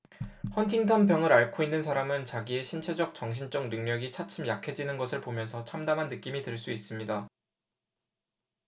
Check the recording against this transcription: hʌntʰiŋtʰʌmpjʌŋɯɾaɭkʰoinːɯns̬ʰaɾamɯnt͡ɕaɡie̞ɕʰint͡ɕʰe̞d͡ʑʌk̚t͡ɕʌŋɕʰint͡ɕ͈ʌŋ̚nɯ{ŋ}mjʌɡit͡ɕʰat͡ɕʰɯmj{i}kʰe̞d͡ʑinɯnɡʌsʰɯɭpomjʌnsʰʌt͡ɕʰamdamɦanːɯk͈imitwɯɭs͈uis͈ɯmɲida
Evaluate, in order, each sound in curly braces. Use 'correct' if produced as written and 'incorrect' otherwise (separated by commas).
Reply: correct, incorrect